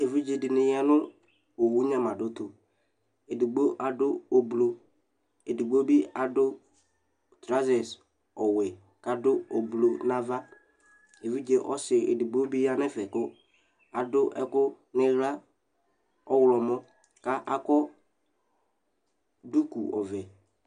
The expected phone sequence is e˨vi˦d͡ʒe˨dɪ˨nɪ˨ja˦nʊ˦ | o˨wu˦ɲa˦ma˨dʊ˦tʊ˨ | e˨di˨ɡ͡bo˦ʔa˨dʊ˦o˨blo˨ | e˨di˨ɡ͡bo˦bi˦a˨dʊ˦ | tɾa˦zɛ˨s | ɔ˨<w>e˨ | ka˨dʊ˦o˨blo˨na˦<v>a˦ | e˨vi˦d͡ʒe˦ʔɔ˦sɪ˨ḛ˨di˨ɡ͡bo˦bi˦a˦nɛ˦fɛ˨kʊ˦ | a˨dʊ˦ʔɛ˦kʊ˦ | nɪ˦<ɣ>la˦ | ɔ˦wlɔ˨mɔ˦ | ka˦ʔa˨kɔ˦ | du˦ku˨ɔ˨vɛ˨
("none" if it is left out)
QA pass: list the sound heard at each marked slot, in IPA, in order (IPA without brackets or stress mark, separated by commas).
w, v, ɣ